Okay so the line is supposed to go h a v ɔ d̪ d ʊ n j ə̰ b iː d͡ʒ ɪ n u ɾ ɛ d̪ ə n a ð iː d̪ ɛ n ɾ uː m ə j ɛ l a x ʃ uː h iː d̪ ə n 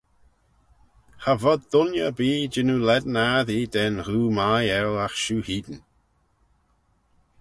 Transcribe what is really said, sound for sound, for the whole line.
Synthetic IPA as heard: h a v ɔ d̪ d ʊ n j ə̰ b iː d͡ʒ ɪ n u l ɛ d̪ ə n a ð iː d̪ ɛ n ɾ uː m a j ɛ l a x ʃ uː h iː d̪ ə n